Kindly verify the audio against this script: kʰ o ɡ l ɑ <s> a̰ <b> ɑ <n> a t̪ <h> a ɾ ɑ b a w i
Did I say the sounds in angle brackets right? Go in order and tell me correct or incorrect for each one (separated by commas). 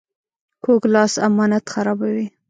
correct, incorrect, correct, incorrect